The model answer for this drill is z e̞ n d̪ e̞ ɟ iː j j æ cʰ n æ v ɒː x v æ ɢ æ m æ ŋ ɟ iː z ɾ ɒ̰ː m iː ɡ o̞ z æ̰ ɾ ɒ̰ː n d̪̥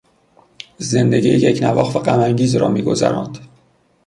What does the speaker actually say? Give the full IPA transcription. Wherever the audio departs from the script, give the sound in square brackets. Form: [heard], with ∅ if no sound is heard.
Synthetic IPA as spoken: z e̞ n d̪ e̞ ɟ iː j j [e] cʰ n æ v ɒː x v æ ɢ æ m æ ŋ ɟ iː z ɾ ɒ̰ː m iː ɡ o̞ z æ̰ ɾ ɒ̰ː n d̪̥